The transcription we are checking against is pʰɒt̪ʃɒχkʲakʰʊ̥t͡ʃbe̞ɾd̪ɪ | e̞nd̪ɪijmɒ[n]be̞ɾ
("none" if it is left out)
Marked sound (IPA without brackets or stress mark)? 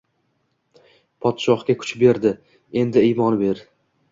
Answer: n